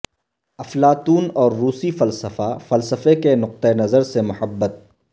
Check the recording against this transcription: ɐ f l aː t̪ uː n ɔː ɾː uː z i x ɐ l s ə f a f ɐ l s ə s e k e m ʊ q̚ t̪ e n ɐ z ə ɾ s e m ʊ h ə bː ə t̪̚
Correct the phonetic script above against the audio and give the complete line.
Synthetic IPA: ɐ f l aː t̪ uː n ɔː ɾː uː s i f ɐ l s ə f a f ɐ l s ə f e k e n ʊ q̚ t̪ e n ɐ z ə ɾ s e m ʊ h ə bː ə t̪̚

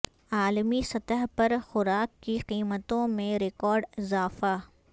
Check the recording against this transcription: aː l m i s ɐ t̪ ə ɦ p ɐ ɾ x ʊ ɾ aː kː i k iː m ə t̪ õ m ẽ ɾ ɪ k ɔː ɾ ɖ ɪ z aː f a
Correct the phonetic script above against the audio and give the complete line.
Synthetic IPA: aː l m i s ɐ t̪ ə ɦ p ɐ ɾ x ʊ ɾ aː kː i q iː m ə t̪ õ m ẽ ɾ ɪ k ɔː ɾ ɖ ɪ z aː f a

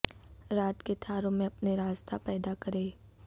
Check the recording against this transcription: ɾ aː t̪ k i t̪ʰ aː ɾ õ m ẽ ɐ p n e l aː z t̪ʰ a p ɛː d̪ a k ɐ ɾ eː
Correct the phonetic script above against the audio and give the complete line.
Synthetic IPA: ɾ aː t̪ k e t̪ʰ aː ɾ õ m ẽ ɐ p n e ɾ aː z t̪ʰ a p ɛː d̪ a k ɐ ɾ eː

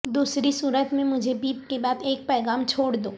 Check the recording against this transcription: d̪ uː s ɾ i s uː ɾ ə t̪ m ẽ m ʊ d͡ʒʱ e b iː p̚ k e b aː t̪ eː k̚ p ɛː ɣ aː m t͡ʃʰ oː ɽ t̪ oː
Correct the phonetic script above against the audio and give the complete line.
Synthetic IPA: d̪ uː s ɾ i s uː ɾ ə t̪ m ẽ m ʊ d͡ʒʱ e b iː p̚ k e b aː d̪ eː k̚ p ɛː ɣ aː m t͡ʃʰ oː ɽ d̪ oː

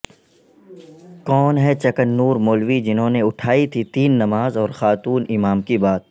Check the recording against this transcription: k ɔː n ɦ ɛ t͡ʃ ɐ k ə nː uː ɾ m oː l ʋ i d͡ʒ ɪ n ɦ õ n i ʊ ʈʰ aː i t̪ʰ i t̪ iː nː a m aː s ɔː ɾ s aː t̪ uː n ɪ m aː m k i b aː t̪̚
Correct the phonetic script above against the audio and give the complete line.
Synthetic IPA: k ɔː n ɦ ɛ t͡ʃ ɐ k ə nː uː ɾ m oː l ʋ i d͡ʒ ɪ n ɦ õ n e ʊ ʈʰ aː i t̪ʰ i t̪ iː nː ɐ m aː z ɔː ɾ x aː t̪ uː n ɪ m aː m k i b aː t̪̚

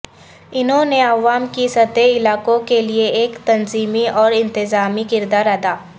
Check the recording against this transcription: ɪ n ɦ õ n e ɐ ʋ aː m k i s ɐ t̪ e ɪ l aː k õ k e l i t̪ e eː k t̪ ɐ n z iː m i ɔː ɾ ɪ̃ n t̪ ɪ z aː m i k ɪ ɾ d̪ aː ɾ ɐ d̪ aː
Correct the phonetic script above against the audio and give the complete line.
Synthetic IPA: ɪ n ɦ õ n e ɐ ʋ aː m k i s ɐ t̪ e ɪ l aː k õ k e l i e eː k t̪ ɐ n z iː m i ɔː ɾ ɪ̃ n t̪ ɪ z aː m i k ɪ ɾ d̪ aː ɾ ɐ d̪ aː

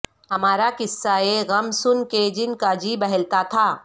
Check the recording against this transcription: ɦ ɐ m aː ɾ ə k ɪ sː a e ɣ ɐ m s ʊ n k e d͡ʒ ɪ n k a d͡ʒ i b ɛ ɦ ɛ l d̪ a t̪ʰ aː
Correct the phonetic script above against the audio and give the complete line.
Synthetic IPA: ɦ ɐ m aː ɾ a k ɪ sː a e ɣ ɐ m s ʊ n k e d͡ʒ ɪ n k a d͡ʒ i b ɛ ɦ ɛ l t̪ a t̪ʰ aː

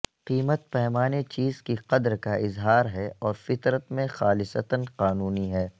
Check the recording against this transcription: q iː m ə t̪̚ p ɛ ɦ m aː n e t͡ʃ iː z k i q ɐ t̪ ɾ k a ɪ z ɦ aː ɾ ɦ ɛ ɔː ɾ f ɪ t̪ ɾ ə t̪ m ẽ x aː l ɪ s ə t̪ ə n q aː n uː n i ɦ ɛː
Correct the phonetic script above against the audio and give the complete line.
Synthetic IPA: q iː m ə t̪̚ p ɛ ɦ m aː n e t͡ʃ iː z k i q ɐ d̪ ɾ k a ɪ z ɦ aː ɾ ɦ ɛ ɔː ɾ f ɪ t̪ ɾ ə t̪ m ẽ x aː l ɪ s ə t̪ ə n q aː n uː n i ɦ ɛː

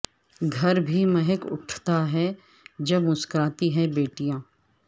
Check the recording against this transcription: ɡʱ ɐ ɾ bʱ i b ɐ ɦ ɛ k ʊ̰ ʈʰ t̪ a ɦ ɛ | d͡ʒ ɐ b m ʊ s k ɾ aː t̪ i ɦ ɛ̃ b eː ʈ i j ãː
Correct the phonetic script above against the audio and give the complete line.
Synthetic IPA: ɡʱ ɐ ɾ bʱ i m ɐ ɦ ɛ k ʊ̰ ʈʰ t̪ a ɦ ɛ | d͡ʒ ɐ b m ʊ s k ɾ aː t̪ i ɦ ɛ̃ b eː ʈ i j ãː

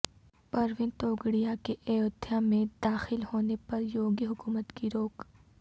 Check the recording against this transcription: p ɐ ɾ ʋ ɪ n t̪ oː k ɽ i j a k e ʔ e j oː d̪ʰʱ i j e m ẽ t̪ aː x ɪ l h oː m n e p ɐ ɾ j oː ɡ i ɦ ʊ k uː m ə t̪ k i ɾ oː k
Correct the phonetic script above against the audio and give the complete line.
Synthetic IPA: p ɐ ɾ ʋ ɪ n t̪ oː ɡ ɽ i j a k e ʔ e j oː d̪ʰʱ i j a m ẽ d̪ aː x ɪ l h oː n e p ɐ ɾ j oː ɡ i ɦ ʊ k uː m ə t̪ k i ɾ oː k

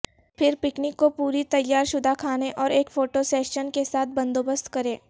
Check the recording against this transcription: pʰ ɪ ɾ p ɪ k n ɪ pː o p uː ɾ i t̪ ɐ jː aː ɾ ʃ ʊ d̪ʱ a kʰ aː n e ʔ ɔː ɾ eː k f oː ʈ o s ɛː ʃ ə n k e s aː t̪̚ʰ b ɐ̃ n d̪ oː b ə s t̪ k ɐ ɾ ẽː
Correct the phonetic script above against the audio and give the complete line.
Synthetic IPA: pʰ ɪ ɾ p ɪ k n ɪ kː o p uː ɾ i t̪ ɐ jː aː ɾ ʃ ʊ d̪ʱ a kʰ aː n e ʔ ɔː ɾ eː k f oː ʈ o s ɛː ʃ ə n k e s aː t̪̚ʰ b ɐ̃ n d̪ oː b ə s t̪ k ɐ ɾ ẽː

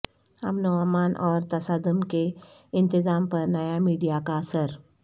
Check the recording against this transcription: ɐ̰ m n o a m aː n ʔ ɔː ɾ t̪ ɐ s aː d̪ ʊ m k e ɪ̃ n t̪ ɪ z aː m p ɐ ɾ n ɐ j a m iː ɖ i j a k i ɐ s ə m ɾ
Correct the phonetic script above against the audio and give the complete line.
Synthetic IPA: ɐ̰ m n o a m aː n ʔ ɔː ɾ t̪ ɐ s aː d̪ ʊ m k e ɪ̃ n t̪ ɪ z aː m p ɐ ɾ n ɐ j a m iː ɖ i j a k a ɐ s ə ɾ

